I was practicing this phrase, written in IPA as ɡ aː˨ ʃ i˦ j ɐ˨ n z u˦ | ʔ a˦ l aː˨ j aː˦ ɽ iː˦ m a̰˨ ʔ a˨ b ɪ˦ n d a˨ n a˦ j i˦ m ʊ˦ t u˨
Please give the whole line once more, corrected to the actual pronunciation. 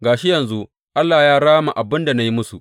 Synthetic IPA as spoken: ɡ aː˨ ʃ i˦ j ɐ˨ n z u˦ | ʔ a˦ lː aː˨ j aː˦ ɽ aː˦ m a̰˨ ʔ a˨ b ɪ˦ n d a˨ n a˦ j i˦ m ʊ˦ s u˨